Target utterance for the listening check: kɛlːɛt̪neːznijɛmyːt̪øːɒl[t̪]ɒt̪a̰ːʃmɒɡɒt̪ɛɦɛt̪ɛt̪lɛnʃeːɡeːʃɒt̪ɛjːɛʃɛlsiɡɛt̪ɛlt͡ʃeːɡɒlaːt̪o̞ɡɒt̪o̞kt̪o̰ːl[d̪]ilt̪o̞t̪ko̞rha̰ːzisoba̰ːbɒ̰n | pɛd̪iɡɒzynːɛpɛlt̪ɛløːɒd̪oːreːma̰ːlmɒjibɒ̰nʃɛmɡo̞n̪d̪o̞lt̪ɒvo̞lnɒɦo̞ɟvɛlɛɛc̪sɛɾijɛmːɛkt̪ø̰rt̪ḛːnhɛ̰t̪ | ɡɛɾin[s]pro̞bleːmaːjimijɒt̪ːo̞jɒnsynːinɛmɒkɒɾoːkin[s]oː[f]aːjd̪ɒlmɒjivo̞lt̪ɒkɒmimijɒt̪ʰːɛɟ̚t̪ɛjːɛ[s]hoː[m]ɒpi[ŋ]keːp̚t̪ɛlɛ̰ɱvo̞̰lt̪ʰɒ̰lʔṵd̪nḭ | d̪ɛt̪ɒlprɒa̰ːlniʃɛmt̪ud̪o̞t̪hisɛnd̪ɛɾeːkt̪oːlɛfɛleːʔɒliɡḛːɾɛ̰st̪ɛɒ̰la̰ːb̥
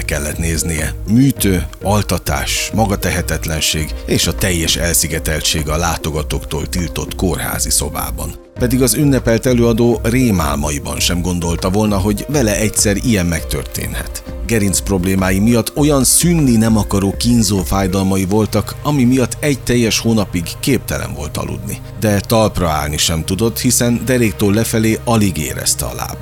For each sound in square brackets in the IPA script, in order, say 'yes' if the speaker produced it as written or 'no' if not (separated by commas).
yes, no, yes, no, yes, no, no, no